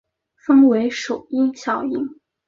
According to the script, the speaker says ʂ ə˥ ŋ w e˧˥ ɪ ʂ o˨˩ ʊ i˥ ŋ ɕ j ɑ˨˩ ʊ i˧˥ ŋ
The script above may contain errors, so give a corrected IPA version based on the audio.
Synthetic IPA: f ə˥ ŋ w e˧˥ ɪ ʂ o˨˩ ʊ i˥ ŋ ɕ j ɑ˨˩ ʊ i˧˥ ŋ